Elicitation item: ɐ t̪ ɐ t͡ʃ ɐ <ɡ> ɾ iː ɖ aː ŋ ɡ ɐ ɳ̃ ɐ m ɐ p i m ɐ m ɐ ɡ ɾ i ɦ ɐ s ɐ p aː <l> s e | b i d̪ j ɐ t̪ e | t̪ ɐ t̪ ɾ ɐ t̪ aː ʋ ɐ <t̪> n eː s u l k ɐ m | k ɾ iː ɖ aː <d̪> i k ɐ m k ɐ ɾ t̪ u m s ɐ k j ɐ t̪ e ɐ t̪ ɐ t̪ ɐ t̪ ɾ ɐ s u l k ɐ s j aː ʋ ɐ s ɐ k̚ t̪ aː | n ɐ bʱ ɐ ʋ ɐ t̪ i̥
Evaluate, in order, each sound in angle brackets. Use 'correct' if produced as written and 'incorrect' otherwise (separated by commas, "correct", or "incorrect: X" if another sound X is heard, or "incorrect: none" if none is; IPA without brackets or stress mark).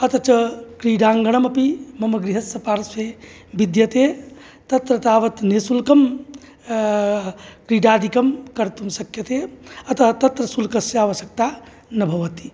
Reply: incorrect: k, incorrect: ɾ, correct, correct